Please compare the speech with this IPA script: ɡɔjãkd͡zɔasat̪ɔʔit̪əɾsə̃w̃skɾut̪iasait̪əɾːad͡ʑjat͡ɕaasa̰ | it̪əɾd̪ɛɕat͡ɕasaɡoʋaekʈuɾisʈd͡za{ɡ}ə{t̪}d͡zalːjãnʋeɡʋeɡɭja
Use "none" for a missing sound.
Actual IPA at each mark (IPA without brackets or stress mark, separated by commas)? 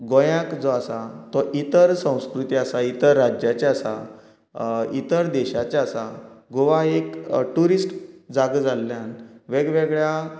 ɡ, none